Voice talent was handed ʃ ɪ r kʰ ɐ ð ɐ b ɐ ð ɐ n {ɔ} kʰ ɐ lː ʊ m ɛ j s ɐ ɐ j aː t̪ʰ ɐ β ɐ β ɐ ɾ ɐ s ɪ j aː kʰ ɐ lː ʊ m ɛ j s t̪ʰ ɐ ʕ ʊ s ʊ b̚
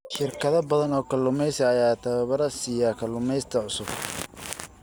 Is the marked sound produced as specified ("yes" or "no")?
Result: no